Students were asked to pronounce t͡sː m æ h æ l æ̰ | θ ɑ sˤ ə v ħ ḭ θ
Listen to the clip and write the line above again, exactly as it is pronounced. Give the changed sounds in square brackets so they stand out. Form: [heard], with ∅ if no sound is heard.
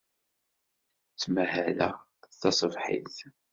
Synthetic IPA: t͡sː m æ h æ l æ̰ | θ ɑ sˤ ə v ħ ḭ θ